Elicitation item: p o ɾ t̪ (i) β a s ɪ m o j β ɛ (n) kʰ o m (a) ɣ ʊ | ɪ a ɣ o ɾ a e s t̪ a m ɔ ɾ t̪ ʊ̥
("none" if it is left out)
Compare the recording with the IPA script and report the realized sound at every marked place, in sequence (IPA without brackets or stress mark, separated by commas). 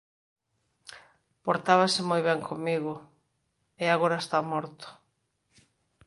a, ŋ, i